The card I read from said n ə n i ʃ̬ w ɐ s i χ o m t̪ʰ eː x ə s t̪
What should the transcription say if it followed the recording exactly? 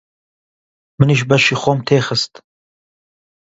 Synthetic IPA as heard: m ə n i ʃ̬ b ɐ ʃ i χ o m t̪ʰ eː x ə s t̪